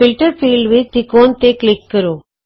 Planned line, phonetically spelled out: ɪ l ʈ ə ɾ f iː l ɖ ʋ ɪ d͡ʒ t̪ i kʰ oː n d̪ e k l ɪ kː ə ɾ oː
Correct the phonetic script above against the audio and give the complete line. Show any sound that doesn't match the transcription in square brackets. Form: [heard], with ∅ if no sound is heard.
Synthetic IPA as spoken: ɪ l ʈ ə ɾ f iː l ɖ ʋ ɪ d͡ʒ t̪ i [k] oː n [t̪] e k l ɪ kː ə ɾ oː